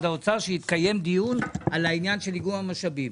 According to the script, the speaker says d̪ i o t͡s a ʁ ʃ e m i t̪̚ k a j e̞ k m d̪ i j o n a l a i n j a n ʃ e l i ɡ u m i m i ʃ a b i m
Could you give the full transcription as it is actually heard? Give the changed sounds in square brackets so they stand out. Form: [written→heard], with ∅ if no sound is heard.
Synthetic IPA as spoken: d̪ [i→a] o t͡s a ʁ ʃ e [m→∅] i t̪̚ k a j e̞ [k→∅] m d̪ i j [o→u] n a l a i n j a n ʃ e l i ɡ u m [i→a] m [i→a] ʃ a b i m